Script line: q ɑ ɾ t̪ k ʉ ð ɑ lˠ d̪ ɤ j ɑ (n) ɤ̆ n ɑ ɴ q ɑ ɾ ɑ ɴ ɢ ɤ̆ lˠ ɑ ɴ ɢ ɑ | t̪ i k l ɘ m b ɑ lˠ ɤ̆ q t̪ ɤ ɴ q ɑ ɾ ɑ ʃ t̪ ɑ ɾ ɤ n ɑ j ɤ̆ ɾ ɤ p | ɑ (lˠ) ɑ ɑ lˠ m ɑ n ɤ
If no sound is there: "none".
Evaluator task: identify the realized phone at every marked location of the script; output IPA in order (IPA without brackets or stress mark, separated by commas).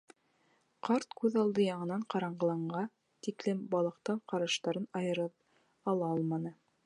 ɴ, lˠ